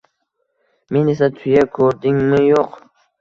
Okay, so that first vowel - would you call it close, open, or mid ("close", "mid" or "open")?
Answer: mid